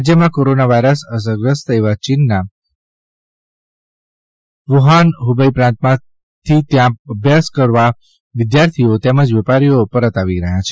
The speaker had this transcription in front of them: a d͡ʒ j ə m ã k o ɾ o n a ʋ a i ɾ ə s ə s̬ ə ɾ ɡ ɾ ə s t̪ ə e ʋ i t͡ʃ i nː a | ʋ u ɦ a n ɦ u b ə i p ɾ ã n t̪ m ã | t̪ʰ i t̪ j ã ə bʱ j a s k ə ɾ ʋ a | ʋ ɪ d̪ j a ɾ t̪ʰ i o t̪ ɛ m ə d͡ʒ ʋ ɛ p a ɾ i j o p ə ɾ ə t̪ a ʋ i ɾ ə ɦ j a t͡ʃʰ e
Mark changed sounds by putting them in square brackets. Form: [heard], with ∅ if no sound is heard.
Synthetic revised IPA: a d͡ʒ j ə m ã k o ɾ o n a ʋ a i ɾ ə s ə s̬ ə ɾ ɡ ɾ ə s t̪ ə e ʋ [a] t͡ʃ i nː a | ʋ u ɦ a n ɦ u b ə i p ɾ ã n t̪ m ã | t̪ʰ i t̪ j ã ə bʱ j a s k ə ɾ ʋ a | ʋ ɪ d̪ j a ɾ t̪ʰ i o t̪ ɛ m ə d͡ʒ ʋ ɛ p a ɾ i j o p ə ɾ ə t̪ a ʋ i ɾ ə ɦ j a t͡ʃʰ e

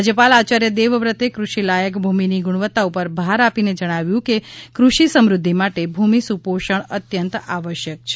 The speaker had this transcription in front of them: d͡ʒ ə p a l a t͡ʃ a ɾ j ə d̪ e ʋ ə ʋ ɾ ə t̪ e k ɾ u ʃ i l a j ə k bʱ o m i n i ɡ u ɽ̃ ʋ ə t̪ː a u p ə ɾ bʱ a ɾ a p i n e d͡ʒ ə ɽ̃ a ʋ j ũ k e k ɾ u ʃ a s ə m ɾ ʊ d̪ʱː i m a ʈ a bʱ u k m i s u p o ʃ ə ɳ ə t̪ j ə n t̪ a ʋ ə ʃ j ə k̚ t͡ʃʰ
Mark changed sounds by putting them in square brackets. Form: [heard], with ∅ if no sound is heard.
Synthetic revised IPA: d͡ʒ ə p a l a t͡ʃ a ɾ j ə d̪ e ʋ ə ʋ ɾ ə t̪ e k ɾ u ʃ i l a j ə k bʱ [u] m i n i ɡ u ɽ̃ ʋ ə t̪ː a u p ə ɾ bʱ a ɾ a p i n e d͡ʒ ə ɽ̃ a ʋ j ũ k e k ɾ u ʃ [i] s ə m ɾ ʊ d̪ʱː i m a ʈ [e] bʱ u [∅] m i s u p o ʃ ə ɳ ə t̪ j ə n t̪ a ʋ ə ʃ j ə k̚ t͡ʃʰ

